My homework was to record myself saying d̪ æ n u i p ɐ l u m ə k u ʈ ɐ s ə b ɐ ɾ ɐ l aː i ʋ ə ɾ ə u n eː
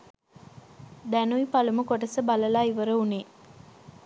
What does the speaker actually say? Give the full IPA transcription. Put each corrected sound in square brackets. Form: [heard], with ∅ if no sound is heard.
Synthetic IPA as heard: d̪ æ n u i p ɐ l u m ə k [o] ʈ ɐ s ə b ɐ [l] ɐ l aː i ʋ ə ɾ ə u n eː